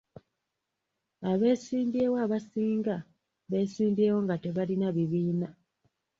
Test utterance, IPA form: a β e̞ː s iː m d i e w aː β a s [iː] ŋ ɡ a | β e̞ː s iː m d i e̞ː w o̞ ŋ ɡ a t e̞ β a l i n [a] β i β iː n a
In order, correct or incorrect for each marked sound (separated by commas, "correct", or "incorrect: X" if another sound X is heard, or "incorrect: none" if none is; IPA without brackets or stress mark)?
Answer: correct, correct